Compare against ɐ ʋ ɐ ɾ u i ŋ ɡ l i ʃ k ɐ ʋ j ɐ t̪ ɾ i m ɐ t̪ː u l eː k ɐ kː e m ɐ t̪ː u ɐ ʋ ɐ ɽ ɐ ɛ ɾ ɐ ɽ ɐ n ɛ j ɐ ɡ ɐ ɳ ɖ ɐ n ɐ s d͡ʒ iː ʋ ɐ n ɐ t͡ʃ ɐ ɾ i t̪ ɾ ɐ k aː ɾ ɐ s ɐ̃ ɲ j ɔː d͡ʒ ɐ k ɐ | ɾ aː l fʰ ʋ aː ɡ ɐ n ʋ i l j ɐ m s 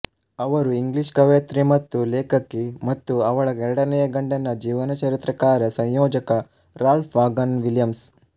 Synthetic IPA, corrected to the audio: ɐ ʋ ɐ ɾ u i ŋ ɡ l i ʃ k ɐ ʋ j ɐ t̪ ɾ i m ɐ t̪ː u l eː k ɐ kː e m ɐ t̪ː u ɐ ʋ ɐ ɭ ɐ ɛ ɾ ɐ ɽ ɐ n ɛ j ɐ ɡ ɐ ɳ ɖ ɐ n ɐ d͡ʒ iː ʋ ɐ n ɐ t͡ʃ ɐ ɾ i t̪ ɾ ɐ k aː ɾ ɐ s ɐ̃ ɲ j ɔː d͡ʒ ɐ k ɐ | ɾ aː l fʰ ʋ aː ɡ ɐ n ʋ i l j ɐ m s